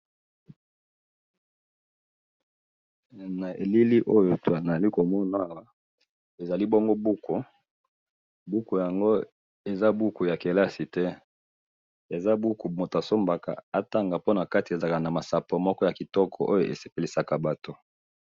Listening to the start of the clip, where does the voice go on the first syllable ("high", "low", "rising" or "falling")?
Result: low